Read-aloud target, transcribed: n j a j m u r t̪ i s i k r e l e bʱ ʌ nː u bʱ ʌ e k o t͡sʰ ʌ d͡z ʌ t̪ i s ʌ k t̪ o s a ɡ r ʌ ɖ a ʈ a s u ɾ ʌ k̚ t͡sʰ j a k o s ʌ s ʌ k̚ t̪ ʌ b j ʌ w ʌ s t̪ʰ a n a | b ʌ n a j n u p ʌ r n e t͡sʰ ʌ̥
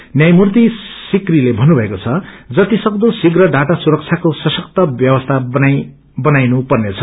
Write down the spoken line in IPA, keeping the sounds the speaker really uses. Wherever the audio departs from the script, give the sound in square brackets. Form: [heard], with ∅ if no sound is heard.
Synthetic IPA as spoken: n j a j m u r t̪ i s i k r [i] l e bʱ ʌ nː u bʱ ʌ e k o t͡sʰ ʌ d͡z ʌ t̪ i s ʌ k [d̪] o s [i] ɡ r ʌ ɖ a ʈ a s u ɾ ʌ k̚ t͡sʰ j a k o s ʌ s ʌ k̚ t̪ ʌ b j ʌ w ʌ s t̪ʰ a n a | b ʌ n a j n u p ʌ r n e t͡sʰ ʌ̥